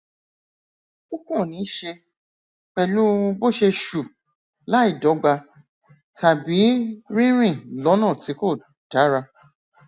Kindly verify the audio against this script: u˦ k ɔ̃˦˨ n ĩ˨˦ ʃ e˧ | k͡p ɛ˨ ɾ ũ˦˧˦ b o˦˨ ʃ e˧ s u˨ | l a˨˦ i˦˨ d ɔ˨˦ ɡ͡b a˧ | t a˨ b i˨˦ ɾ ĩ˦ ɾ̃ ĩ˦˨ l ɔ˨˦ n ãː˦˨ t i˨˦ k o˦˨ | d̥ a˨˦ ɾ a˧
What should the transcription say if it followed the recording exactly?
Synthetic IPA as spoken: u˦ k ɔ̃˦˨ n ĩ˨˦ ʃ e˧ | k͡p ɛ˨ l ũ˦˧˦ b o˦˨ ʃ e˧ ʃ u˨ | l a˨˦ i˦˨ d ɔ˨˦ ɡ͡b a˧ | t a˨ b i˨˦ ɾ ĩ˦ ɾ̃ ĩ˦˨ l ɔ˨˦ n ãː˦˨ t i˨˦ k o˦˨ | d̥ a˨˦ ɾ a˧